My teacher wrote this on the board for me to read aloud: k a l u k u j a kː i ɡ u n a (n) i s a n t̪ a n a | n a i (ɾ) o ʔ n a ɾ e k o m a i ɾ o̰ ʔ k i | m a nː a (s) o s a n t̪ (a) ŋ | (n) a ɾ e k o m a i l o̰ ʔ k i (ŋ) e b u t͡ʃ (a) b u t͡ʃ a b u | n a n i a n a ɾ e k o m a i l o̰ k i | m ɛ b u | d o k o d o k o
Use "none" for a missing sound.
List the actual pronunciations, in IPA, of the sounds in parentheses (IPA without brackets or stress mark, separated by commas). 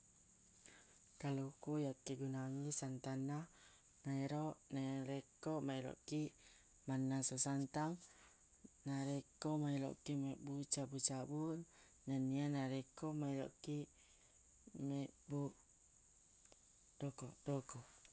ŋ, ɾ, s, a, n, m, a